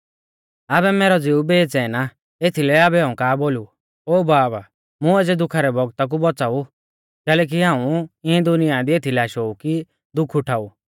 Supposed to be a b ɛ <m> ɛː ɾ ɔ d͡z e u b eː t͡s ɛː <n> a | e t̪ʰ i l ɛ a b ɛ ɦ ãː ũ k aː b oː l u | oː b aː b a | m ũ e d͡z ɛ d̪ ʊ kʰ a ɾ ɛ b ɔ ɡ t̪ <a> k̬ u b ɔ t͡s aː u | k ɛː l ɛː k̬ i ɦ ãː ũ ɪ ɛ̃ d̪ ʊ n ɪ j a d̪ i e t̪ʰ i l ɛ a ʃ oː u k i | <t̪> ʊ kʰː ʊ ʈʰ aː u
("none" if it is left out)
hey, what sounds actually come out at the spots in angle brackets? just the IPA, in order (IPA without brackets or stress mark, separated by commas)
m, n, a, d̪